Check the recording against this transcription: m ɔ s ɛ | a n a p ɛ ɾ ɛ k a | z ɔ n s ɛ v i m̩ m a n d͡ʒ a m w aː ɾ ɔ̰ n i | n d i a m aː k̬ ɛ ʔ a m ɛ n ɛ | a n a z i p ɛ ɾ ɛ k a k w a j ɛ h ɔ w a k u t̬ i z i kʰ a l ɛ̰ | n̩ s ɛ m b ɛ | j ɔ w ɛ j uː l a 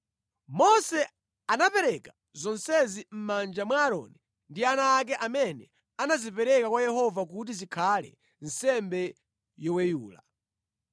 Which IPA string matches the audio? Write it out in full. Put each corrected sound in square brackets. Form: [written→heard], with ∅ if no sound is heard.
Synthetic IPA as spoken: m ɔ s ɛ | a n a p ɛ ɾ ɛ k a | z ɔ n s ɛ [v→z] i m̩ m a n d͡ʒ a m w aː ɾ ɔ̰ n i | n d i a [m→n] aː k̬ ɛ ʔ a m ɛ n ɛ | a n a z i p ɛ ɾ ɛ k a k w a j ɛ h ɔ [w→v] a k u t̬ i z i kʰ a l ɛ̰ | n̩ s ɛ m b ɛ | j ɔ w ɛ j uː l a